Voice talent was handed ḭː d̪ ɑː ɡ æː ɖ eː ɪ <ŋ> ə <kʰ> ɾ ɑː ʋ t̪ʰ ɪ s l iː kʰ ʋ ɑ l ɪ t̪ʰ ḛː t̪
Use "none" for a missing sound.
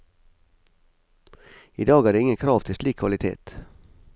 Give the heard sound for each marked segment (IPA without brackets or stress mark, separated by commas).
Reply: ŋ, kʰ